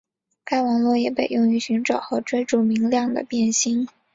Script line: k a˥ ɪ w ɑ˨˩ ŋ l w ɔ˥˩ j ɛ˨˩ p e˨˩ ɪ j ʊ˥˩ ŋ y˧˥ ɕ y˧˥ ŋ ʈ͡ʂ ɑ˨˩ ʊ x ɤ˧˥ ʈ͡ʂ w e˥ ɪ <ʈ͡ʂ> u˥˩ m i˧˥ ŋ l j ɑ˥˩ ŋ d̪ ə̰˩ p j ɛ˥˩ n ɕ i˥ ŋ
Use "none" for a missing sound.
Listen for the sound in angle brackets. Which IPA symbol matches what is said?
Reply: ʈ͡ʂ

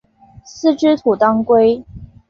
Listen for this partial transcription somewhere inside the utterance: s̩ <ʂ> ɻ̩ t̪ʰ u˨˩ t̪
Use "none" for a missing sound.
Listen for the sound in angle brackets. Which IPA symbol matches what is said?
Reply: ʈ͡ʂ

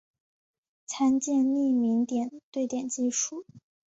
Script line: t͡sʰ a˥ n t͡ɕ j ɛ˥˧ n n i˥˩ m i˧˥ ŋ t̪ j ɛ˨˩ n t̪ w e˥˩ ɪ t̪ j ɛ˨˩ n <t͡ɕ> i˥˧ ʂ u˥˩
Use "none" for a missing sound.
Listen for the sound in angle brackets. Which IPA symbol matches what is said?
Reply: t͡ɕ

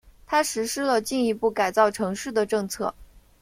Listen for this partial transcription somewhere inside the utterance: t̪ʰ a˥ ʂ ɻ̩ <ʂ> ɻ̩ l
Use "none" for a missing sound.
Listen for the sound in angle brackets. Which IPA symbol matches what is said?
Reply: ʂ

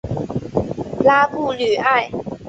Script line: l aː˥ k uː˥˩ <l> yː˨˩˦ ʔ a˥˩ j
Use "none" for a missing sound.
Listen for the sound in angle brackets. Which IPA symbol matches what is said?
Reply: l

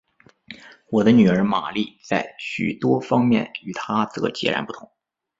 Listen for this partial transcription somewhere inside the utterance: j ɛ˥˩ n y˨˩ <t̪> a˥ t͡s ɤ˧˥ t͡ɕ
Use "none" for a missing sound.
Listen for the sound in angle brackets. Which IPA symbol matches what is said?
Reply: t̪ʰ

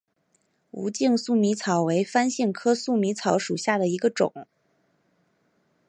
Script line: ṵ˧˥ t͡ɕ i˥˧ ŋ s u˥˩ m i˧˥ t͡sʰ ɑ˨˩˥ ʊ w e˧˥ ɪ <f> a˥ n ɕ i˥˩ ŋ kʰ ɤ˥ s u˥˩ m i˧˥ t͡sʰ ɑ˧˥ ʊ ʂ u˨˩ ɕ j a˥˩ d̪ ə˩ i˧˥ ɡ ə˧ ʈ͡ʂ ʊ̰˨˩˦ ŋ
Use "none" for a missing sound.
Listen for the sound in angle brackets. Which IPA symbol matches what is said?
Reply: f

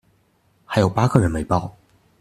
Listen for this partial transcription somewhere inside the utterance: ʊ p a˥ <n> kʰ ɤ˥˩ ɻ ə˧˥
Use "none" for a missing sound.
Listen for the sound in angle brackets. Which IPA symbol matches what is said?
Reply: none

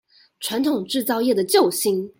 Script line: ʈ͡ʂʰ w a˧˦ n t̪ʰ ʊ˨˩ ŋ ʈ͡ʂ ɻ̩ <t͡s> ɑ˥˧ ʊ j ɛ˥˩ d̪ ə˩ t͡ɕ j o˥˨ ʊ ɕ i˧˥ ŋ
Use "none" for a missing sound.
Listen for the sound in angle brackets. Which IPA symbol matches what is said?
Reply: t͡s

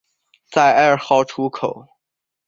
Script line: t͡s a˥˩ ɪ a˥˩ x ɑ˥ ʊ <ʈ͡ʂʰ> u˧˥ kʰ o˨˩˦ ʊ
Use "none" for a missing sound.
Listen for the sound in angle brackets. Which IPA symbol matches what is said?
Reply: ʈ͡ʂʰ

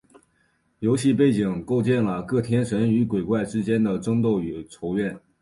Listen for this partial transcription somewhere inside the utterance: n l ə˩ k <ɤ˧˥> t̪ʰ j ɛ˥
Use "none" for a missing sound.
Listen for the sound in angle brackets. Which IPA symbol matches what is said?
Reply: ɤ˥˩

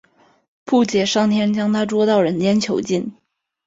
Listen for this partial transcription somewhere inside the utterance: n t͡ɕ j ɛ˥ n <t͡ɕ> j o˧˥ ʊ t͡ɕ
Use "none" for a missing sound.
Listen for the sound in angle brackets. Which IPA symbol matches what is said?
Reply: t͡ɕʰ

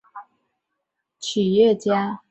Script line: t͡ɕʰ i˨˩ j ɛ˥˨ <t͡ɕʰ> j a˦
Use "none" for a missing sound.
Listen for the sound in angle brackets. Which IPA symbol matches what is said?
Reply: t͡ɕ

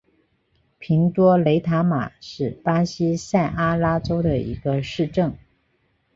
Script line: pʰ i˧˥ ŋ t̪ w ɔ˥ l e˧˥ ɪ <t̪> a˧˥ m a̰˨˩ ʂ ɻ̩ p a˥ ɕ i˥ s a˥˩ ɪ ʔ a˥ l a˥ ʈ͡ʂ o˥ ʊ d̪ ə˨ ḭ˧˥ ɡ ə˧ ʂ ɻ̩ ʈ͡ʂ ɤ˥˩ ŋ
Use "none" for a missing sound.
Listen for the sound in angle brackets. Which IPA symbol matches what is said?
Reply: t̪ʰ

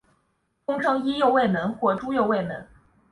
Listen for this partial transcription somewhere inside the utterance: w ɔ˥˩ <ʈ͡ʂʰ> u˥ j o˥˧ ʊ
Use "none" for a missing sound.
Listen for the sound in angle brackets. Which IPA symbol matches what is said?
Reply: ʈ͡ʂ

